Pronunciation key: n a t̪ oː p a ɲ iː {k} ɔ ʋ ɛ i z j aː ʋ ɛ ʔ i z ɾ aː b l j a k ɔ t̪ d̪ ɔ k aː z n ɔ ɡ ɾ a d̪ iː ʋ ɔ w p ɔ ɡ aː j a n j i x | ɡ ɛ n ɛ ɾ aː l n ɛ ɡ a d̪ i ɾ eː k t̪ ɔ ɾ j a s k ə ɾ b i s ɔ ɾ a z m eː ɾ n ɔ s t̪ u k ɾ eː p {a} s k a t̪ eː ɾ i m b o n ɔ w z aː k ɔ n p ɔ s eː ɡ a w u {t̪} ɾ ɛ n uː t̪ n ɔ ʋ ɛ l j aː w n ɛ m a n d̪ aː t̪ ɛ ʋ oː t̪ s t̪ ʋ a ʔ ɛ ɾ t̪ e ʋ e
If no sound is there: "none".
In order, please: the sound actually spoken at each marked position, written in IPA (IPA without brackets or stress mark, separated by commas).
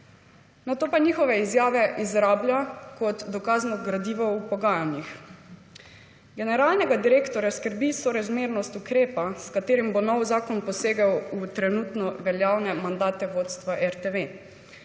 x, a, t̪